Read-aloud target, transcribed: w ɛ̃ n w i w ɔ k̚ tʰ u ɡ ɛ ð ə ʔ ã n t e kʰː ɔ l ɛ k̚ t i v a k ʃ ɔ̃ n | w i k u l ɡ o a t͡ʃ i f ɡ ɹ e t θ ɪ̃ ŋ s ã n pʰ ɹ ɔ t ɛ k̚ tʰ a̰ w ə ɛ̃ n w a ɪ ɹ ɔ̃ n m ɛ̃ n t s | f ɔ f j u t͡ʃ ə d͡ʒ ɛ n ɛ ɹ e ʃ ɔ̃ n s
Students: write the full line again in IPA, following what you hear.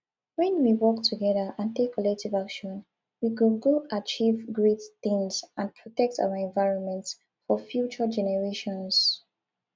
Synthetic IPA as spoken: w ɛ̃ n w i w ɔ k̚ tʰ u ɡ ɛ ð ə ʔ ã n t e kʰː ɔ l ɛ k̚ t i v a k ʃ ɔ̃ n | w i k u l ɡ o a t͡ʃ i v ɡ ɹ e t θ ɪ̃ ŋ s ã n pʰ ɹ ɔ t ɛ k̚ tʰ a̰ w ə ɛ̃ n v a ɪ ɹ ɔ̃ n m ɛ̃ n t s | f ɔ f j u t͡ʃ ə d͡ʒ ɛ n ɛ ɹ e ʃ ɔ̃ n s

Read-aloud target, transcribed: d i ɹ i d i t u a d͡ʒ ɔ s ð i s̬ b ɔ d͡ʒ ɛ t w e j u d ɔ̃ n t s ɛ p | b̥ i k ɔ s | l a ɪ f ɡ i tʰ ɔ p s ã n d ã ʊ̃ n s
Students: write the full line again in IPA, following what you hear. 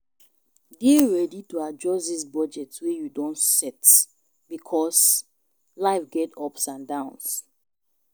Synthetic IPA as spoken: d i ɹ ɛ d i t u a d͡ʒ ɔ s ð i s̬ b ɔ d͡ʒ ɛ t w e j u d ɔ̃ n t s ɛ t | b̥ i kʰ ɔ s | l a ɪ f ɡ ɛ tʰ ɔ p s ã n d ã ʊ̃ n s

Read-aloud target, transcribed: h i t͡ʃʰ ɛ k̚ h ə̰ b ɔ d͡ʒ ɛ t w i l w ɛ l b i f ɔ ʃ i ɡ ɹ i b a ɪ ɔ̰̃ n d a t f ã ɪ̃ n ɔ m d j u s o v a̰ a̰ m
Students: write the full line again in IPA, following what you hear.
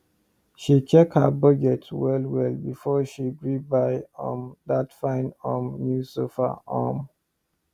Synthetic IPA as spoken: ʃ i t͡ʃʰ ɛ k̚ h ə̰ b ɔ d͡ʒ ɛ t w ɛ l w ɛ l b i f ɔ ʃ i ɡ ɹ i b a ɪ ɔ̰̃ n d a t f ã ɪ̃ n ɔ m n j u s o f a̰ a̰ m

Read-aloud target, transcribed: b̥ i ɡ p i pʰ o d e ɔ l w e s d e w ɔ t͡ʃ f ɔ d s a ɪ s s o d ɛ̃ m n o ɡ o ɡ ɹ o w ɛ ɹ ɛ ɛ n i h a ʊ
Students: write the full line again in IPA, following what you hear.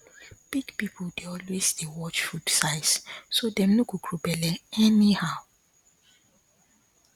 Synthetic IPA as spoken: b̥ i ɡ p i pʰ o d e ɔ l w e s d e w ɔ t͡ʃ f u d s a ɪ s s o d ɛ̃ m n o ɡ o ɡ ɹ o b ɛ l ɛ ɛ n i h a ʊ

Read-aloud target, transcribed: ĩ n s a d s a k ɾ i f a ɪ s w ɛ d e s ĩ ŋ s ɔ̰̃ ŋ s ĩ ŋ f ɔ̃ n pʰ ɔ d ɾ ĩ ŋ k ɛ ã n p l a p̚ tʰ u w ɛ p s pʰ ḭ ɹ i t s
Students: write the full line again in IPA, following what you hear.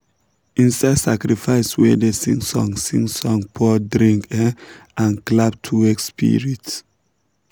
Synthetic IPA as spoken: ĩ n s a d s a k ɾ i f a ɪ s w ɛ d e s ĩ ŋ s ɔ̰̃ ŋ s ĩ ŋ s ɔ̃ ŋ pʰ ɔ d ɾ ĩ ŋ k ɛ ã n k l a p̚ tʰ u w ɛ k s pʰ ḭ ɹ i t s

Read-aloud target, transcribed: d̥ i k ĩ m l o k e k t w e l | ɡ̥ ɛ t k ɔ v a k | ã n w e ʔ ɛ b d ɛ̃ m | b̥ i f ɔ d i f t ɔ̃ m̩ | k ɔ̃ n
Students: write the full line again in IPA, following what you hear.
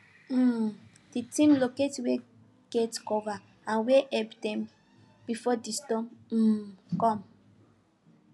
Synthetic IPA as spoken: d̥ i t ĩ m l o k e t w e | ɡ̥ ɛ t k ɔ v a | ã n w e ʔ ɛ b d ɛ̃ m | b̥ i f ɔ d i s t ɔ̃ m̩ | k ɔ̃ m

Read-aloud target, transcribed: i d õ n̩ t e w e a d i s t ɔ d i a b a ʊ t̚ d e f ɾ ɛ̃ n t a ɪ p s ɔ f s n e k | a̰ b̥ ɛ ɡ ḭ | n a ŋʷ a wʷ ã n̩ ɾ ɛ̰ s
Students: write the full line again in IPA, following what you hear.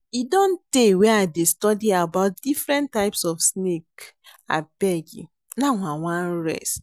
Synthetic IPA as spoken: i d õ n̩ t e w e a d e s t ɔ d i a b a ʊ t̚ d i f ɾ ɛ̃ n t a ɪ p s ɔ f s n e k | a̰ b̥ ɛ ɡ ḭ | n a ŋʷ a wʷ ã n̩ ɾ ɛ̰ s

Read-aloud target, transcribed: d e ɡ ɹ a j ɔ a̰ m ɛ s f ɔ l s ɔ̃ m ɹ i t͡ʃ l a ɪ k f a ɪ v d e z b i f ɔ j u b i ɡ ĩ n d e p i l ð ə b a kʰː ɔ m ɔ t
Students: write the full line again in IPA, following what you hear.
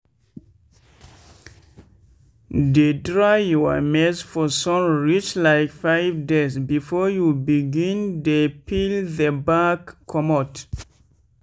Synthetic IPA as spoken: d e d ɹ a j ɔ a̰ m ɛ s f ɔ s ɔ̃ m ɹ i t͡ʃ l a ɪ k f a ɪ v d e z b i f ɔ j u b i ɡ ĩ n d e p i l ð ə b a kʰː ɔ m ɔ t

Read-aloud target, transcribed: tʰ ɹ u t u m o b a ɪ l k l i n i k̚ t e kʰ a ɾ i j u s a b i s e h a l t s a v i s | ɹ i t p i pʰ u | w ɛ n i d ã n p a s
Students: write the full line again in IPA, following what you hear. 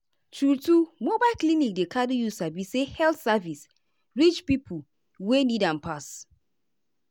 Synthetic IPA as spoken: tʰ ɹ u t u m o b a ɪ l k l i n i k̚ d e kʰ a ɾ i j u s a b i s e h ɛ l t s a v i s | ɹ i t͡ʃ p i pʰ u | w e n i d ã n p a s

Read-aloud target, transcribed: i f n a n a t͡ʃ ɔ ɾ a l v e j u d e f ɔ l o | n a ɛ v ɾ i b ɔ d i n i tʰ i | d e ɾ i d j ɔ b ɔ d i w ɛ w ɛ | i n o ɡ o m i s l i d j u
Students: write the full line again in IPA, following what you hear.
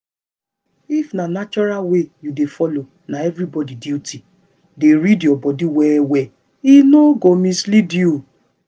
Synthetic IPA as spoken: i f n a n a t͡ʃ ɔ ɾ a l w e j u d e f ɔ l o | n a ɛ v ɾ i b ɔ d i d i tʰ i | d e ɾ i d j ɔ b ɔ d i w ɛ w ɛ | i n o ɡ o m i s l i d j u

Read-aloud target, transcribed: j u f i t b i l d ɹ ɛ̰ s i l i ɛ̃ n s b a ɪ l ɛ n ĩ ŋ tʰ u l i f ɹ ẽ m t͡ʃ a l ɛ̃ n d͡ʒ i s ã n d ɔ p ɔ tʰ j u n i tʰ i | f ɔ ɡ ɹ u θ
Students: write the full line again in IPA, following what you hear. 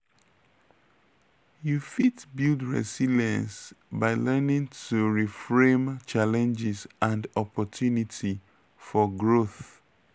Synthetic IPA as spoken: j u f i t b i l d ɹ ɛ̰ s i l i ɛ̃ n s b a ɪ l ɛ n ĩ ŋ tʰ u ɹ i f ɹ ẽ m t͡ʃ a l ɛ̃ n d͡ʒ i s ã n d ɔ p ɔ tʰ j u n i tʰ i | f ɔ ɡ ɹ o θ

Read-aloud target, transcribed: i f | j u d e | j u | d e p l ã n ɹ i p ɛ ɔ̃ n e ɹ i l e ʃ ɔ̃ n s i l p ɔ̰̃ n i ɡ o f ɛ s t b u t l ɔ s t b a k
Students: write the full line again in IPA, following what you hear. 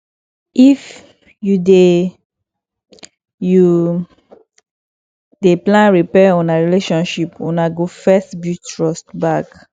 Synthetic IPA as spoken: i f | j u d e | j u | d e p l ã n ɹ i p ɛ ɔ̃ n a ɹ i l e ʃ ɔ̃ n ʃ i p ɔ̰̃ n a ɡ o f ɛ s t b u t ɹ ɔ s t b a k

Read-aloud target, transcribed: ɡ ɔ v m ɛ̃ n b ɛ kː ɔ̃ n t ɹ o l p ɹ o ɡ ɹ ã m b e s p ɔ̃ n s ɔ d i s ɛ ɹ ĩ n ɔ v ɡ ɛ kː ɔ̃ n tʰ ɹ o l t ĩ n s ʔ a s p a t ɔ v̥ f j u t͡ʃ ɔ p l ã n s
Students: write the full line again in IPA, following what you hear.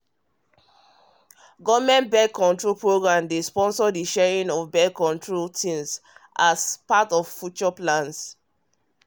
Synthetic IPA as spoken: ɡ ɔ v m ɛ̃ n b ɛ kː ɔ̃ n t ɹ o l p ɹ o ɡ ɹ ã m d e s p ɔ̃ n s ɔ d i ʃ ɛ ɹ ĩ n ɔ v b ɛ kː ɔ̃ n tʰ ɹ o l t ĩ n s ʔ a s p a t ɔ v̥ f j u t͡ʃ ɔ p l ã n s

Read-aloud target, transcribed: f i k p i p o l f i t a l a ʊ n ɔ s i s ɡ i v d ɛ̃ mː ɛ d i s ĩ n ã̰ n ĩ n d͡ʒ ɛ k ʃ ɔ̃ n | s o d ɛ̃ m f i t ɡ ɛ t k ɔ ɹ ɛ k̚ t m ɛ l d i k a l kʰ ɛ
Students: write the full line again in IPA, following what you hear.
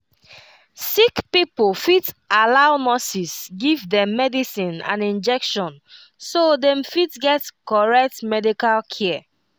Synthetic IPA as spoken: s i k p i p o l f i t a l a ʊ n ɔ s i s ɡ i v d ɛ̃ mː ɛ d i s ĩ n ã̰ n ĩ n d͡ʒ ɛ k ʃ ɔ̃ n | s o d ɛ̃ m f i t ɡ ɛ t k ɔ ɹ ɛ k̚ t m ɛ d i k a l kʰ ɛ

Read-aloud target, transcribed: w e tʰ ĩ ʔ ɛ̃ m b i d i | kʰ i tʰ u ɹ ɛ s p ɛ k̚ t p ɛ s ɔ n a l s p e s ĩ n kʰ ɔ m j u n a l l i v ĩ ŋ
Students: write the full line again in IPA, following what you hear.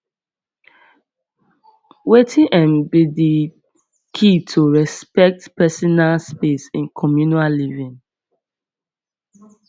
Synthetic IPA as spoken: w e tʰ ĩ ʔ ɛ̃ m b i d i | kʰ i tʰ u ɹ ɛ s p ɛ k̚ t p ɛ s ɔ n a l s p e s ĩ n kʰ ɔ m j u n a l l i v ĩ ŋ

